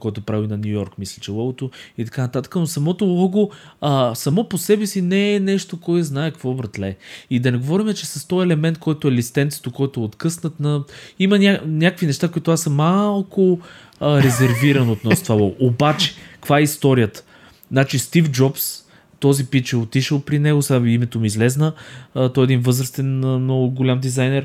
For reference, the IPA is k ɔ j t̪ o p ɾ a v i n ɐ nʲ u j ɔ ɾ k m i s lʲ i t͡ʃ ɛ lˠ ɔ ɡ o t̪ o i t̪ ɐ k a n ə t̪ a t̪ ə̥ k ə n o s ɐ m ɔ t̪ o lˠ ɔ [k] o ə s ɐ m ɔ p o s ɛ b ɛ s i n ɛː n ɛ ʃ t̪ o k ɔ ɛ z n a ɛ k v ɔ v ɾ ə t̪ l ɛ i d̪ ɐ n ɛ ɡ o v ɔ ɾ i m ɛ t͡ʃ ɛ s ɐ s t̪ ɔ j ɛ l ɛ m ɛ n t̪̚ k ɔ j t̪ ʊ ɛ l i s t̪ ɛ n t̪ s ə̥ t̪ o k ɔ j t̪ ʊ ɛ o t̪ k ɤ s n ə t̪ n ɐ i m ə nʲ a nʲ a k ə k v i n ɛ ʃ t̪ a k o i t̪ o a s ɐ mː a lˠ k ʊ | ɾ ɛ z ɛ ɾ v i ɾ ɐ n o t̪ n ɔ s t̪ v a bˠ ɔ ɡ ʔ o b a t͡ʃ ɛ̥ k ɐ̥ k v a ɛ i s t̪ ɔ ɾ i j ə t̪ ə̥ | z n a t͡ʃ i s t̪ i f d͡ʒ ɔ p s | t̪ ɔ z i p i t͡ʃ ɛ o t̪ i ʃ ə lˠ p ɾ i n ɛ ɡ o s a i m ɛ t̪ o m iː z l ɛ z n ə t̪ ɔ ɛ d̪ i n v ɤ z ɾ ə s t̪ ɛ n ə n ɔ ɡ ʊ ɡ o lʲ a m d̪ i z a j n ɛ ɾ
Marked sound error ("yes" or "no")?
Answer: yes